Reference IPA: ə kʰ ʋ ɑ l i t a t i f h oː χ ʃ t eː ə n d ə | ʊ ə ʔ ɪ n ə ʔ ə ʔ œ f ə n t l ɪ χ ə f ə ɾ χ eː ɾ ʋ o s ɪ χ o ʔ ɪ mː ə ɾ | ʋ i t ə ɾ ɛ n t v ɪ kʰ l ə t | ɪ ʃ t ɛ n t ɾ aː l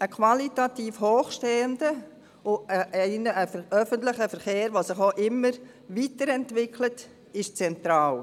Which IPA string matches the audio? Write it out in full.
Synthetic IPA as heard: ə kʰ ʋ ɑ l i t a t iː f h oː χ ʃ t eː ə n d ə | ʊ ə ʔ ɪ n ə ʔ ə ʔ œ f ə n t l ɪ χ ə f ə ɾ χ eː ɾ ʋ o s ɪ χ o ʔ ɪ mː ə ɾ | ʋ i t ə ɾ ɛ n t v ɪ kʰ l ə t | ɪ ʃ t͡s ɛ n t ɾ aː l